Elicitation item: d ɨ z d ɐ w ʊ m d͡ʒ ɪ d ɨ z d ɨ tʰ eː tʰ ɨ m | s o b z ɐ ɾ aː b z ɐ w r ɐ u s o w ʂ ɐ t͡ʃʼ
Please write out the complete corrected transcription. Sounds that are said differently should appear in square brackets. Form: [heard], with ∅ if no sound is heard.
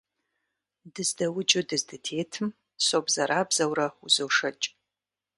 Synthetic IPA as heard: d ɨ z d ɐ w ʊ [∅] d͡ʒ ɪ d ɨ z d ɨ tʰ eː tʰ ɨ m | s o b z ɐ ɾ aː b z ɐ w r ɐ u [z] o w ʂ ɐ t͡ʃʼ